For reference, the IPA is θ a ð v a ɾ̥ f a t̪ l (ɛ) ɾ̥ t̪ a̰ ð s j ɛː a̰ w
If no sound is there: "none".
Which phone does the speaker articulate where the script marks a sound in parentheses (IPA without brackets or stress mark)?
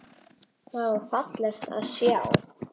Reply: ɛ